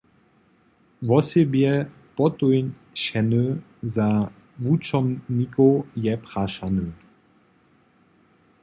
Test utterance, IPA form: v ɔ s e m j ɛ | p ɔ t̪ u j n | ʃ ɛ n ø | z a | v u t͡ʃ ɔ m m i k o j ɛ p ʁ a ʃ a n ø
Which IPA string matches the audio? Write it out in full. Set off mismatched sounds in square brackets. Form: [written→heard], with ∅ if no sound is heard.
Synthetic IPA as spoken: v ɔ s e [m→b] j ɛ | p ɔ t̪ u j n | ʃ ɛ n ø | z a | v u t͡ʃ ɔ m [m→n] i k o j ɛ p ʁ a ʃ a n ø